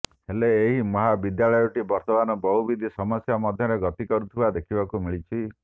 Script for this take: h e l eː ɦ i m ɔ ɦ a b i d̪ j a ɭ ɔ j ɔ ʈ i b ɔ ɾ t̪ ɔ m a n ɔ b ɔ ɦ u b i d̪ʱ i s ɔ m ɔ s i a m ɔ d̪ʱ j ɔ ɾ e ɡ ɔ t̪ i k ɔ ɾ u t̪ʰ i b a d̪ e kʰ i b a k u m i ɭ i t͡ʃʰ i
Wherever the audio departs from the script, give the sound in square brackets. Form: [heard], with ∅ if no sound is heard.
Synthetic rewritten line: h e l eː ɦ i m ɔ ɦ a b i d̪ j a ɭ ɔ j ɔ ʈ i b ɔ ɾ t̪ ɔ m a n ɔ b ɔ ɦ u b i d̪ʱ i s ɔ m ɔ s [j] a m ɔ d̪ʱ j ɔ ɾ e ɡ ɔ t̪ i k ɔ ɾ u t̪ʰ i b a d̪ e kʰ i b a k u m i ɭ i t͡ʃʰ i